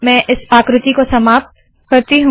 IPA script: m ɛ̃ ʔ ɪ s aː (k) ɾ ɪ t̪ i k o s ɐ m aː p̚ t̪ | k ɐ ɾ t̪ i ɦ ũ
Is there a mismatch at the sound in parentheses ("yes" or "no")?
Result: no